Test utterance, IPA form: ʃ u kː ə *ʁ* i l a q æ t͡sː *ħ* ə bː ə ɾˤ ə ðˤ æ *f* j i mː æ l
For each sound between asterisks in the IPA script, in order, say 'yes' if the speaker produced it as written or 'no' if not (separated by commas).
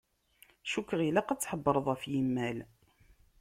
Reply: yes, yes, yes